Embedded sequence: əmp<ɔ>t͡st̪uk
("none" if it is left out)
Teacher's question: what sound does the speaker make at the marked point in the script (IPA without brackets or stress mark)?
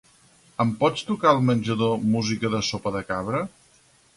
ɔ